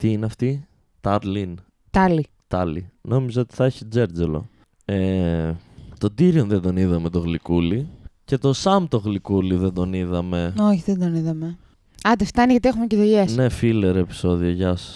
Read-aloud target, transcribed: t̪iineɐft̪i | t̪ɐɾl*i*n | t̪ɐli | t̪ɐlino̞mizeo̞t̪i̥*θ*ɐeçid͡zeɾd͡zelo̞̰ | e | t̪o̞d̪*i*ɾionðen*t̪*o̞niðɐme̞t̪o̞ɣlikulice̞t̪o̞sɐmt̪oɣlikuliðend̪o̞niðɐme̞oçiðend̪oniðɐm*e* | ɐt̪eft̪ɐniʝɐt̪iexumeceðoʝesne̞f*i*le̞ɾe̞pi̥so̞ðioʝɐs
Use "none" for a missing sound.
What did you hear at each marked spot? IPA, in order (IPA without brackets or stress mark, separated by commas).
i, θ, i, d̪, e, i